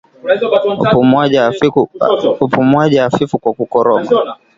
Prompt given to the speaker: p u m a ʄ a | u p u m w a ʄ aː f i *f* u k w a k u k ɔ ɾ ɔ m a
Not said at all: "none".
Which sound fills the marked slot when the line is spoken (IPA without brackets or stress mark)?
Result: f